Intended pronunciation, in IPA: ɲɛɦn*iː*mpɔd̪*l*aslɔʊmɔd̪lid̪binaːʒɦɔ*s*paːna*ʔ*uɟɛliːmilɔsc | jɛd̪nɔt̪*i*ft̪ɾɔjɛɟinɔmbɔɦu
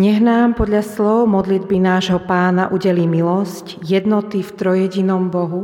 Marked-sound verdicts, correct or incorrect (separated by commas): incorrect, incorrect, incorrect, correct, correct